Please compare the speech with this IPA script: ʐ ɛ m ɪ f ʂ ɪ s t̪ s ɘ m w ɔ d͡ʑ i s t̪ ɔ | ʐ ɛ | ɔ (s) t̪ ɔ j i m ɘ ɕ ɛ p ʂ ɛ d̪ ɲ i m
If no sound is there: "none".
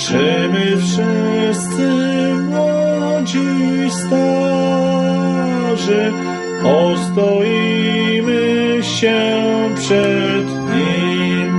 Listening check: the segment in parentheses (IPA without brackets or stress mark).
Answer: s